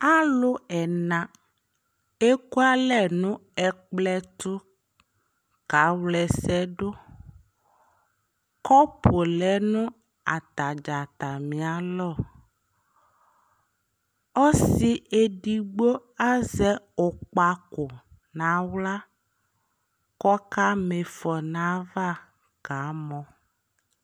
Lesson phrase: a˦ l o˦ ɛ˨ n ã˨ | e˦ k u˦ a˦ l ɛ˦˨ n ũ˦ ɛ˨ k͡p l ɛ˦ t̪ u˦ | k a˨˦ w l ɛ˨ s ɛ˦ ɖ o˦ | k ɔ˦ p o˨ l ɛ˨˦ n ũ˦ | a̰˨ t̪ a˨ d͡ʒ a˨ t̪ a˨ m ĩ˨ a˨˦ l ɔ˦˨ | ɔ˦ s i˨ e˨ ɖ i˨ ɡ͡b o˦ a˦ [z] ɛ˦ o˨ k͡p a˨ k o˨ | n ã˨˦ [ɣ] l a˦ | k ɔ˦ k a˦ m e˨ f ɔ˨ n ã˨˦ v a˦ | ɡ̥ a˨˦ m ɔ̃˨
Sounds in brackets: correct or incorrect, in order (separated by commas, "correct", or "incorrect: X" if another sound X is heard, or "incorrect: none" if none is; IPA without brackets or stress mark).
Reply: correct, incorrect: w